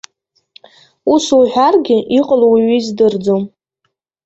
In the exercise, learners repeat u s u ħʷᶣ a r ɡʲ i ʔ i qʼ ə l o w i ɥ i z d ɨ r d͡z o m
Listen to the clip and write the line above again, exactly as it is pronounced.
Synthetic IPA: u s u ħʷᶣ a r ɡʲ ɪ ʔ i qʼ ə l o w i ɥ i z d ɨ r d͡z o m